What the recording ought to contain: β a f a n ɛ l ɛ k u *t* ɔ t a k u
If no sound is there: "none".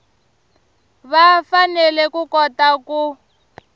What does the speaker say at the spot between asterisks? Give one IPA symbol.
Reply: k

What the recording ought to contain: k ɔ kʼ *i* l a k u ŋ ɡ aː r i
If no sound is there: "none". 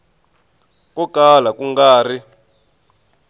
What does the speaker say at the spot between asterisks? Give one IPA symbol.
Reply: a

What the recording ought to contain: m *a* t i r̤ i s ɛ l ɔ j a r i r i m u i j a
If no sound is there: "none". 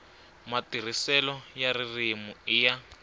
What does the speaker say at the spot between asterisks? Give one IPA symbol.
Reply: a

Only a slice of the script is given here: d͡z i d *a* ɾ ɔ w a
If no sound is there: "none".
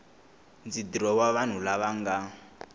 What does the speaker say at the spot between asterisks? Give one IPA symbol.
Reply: i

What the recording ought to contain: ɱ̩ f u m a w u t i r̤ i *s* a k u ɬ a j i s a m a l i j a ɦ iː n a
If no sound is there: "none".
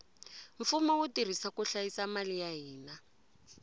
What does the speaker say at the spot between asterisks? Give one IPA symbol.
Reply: s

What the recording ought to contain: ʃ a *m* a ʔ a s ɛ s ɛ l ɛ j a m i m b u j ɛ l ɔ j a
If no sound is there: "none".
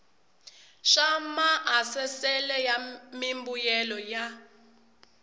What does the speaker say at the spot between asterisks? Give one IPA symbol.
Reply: m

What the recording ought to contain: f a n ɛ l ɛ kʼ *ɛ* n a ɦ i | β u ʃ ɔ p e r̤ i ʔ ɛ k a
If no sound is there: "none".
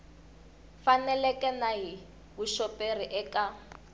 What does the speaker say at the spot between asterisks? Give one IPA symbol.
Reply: ɛ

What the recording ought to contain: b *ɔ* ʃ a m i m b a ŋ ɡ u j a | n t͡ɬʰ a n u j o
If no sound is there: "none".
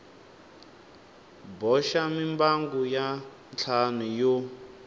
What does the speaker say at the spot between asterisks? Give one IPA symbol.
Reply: ɔ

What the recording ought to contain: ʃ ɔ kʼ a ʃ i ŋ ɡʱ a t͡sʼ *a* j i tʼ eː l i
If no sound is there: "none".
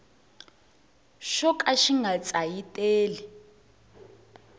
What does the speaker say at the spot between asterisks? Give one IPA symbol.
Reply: a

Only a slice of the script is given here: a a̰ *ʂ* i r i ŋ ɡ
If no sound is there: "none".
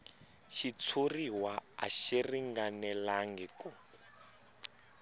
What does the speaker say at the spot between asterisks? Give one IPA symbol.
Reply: ʃ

